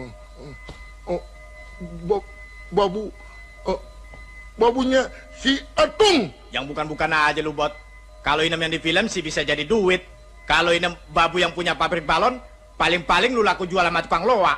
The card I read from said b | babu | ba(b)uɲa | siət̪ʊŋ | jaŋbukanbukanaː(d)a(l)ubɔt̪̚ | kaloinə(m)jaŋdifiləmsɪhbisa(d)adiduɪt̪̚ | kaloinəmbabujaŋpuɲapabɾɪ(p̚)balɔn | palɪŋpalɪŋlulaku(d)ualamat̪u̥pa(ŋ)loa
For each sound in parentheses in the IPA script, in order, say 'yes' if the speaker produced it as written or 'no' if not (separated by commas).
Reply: yes, no, yes, yes, no, no, no, yes